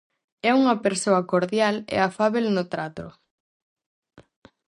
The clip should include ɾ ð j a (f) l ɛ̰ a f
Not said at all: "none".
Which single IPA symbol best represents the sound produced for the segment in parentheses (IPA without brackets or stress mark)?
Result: none